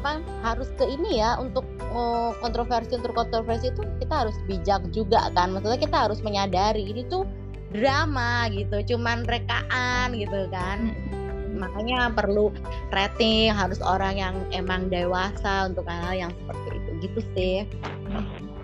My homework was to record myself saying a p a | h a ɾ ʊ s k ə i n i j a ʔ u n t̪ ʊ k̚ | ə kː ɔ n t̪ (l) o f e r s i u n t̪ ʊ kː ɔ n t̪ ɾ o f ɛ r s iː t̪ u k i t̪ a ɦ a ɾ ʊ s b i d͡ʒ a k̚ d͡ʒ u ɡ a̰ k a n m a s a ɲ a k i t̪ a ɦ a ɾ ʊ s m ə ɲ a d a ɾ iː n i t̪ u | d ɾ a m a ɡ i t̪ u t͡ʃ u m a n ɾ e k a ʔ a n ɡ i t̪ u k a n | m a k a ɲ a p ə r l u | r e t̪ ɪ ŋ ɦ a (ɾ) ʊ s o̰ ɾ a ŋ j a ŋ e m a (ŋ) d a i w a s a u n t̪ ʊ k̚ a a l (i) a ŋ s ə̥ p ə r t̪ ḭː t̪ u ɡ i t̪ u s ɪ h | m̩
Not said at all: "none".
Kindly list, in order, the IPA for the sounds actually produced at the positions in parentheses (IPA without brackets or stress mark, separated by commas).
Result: ɾ, ɾ, ŋ, j